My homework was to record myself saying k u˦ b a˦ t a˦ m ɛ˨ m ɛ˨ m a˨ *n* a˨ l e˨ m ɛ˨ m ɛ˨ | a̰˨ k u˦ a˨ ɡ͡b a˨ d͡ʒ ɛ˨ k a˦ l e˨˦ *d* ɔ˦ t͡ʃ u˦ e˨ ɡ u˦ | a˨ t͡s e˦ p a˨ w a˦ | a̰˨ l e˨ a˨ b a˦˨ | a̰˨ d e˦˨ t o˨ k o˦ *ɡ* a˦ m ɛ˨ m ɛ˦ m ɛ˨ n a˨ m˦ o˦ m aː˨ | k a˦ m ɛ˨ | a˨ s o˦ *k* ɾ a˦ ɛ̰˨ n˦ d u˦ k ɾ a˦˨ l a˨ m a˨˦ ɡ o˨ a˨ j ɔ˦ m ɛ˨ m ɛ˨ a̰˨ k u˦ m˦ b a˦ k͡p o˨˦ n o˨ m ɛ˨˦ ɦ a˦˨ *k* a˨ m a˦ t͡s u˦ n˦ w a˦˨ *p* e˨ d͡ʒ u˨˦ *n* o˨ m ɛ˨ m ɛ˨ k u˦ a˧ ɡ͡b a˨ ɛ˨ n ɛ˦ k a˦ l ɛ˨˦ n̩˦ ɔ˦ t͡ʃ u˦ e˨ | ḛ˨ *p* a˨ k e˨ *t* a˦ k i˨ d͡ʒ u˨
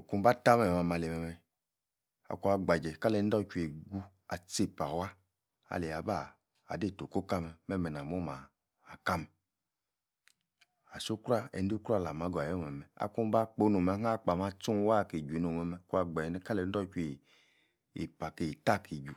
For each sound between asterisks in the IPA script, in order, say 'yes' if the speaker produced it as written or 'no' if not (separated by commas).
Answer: no, yes, no, yes, no, no, yes, yes, yes